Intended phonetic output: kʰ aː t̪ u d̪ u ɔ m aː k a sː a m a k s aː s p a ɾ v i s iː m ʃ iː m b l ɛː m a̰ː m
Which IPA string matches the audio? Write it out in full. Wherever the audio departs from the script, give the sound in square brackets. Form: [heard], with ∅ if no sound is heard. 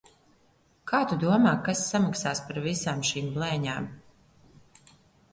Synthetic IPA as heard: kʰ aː t̪ u d̪ u ɔ m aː k a sː a m a k s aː s p a ɾ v i s [aː] m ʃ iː m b l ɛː [ɲ] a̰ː m